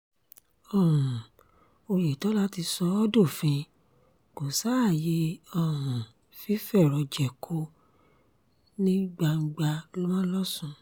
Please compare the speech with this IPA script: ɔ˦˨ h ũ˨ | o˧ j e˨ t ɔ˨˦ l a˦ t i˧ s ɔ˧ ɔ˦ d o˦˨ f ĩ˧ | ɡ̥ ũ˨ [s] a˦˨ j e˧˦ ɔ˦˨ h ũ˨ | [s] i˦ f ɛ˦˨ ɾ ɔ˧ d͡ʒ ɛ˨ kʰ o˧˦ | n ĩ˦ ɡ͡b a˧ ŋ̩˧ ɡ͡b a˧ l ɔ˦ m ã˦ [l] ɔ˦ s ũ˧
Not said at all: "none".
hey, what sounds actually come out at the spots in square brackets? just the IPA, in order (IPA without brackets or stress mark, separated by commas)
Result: s, f, l